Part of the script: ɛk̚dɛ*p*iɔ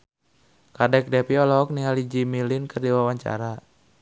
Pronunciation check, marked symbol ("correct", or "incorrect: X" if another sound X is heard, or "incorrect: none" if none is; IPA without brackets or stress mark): correct